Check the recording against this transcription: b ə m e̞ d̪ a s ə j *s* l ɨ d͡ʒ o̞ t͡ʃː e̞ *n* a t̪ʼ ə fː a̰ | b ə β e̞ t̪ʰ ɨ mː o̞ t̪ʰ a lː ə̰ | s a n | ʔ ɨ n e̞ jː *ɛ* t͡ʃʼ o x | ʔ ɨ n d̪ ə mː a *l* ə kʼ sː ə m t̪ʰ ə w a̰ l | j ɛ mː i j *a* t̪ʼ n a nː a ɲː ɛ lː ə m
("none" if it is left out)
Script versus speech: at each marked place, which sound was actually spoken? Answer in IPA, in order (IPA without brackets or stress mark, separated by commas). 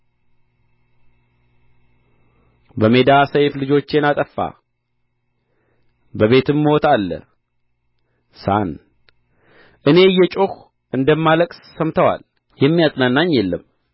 f, n, ɛ, l, a